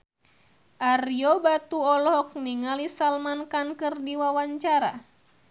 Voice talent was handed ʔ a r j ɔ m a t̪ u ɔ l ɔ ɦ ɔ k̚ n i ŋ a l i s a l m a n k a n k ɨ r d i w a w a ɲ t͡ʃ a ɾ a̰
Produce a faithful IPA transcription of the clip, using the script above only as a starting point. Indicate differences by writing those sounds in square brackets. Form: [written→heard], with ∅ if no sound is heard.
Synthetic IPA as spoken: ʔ a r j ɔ [m→b] a t̪ u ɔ l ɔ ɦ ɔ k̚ n i ŋ a l i s a l m a n k a n k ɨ r d i w a w a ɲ t͡ʃ a ɾ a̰